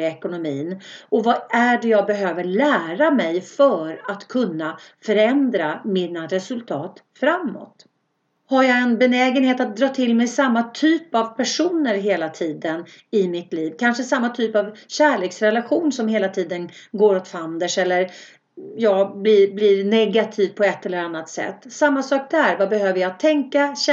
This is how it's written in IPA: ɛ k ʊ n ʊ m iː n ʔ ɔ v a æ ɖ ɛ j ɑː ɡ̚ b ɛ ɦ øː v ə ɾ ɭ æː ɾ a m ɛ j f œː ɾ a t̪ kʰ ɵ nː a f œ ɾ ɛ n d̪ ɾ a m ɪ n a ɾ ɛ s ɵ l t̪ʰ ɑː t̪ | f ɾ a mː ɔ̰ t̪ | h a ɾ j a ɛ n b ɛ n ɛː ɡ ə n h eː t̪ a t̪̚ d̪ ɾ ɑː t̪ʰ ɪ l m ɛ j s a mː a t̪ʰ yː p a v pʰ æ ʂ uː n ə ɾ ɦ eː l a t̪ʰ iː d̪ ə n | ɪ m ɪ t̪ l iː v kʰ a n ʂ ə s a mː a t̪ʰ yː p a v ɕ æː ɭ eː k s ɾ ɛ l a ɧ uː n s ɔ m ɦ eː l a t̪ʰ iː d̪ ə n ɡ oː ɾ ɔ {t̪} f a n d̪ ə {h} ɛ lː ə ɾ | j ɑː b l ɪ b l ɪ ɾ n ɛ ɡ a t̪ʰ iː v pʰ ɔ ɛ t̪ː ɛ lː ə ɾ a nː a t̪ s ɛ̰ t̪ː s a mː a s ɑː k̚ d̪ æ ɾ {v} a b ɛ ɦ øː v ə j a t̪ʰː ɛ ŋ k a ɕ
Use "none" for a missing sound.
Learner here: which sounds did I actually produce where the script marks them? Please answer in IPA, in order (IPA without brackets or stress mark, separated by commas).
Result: t̪, ʂ, v